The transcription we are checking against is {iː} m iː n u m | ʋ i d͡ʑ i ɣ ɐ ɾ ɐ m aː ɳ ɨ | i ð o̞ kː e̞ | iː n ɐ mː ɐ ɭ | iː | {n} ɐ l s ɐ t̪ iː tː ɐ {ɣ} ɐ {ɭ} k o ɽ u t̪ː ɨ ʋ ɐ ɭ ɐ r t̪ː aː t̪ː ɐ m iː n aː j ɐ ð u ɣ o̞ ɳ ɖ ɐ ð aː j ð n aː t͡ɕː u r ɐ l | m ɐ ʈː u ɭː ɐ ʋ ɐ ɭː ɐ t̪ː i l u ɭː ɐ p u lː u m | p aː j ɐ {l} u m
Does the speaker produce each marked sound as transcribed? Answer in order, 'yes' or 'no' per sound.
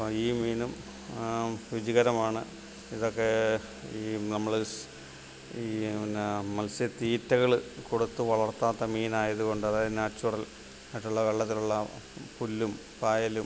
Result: yes, no, yes, yes, yes

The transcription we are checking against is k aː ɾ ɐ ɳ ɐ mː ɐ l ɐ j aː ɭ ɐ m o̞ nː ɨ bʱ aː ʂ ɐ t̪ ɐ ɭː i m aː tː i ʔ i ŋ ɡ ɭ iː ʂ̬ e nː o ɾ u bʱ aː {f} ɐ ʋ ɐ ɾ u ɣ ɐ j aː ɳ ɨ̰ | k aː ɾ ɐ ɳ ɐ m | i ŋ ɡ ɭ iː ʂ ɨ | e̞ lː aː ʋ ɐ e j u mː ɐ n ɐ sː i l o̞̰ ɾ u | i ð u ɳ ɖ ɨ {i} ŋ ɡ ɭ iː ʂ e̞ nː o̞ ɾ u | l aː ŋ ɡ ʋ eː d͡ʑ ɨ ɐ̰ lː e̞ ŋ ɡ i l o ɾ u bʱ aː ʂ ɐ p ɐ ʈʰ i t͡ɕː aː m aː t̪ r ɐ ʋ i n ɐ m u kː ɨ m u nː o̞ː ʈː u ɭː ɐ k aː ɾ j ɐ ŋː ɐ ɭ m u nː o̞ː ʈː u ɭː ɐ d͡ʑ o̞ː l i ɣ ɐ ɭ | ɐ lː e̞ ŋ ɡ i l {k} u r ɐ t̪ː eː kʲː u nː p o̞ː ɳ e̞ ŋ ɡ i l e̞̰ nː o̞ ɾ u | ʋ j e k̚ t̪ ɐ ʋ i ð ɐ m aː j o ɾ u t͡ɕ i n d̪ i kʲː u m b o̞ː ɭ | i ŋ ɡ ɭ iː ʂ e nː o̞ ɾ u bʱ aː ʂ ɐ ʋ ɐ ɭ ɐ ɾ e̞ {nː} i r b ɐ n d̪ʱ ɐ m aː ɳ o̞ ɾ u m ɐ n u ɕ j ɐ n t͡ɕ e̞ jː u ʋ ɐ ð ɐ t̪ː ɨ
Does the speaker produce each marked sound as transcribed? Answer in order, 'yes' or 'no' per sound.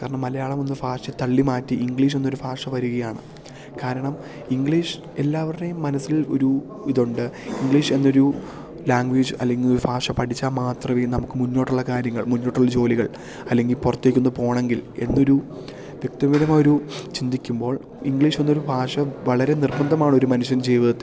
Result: no, yes, no, no

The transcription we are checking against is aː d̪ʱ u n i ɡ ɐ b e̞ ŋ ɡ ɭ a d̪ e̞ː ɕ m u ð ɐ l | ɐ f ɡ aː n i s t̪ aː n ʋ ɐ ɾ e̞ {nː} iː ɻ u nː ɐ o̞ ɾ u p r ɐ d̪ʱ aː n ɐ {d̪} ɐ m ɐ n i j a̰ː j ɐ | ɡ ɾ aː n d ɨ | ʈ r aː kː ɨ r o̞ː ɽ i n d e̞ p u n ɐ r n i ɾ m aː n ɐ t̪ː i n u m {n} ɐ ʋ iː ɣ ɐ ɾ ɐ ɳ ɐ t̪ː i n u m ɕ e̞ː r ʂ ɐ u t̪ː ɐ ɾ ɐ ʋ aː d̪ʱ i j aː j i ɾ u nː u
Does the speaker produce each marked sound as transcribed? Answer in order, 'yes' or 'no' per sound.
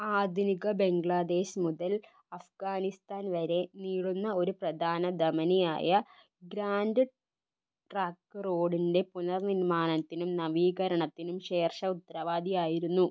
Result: no, yes, yes

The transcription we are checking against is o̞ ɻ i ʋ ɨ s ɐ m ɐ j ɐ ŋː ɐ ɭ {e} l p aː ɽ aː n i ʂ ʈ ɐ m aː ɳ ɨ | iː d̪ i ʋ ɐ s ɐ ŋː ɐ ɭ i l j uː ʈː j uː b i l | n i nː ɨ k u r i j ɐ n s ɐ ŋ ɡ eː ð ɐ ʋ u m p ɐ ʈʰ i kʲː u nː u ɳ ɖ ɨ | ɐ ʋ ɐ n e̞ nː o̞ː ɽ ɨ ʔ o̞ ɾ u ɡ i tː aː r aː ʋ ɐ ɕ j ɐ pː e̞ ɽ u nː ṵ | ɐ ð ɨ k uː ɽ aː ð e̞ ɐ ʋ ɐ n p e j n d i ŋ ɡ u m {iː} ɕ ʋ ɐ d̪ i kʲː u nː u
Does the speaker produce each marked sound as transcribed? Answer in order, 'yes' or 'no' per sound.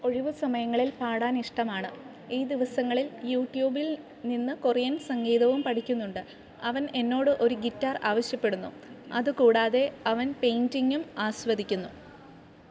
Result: no, no

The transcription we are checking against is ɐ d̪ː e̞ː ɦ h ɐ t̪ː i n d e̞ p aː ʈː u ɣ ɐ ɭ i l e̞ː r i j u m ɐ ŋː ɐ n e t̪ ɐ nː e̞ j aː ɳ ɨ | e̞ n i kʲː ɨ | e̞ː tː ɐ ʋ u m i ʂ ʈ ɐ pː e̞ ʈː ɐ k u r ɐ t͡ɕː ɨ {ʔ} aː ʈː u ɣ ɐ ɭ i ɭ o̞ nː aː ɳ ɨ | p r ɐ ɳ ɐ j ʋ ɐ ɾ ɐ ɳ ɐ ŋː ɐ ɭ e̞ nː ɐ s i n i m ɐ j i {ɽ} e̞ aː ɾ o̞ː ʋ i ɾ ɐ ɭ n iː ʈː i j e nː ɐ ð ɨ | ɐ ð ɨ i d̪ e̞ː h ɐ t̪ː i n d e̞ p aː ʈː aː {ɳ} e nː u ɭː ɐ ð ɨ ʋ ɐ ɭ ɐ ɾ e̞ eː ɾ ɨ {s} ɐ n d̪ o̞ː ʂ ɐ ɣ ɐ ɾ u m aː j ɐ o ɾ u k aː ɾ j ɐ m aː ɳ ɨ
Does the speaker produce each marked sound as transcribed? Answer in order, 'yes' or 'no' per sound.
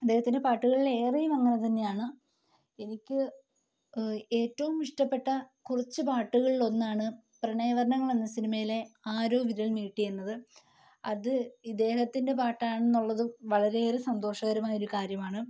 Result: no, no, yes, yes

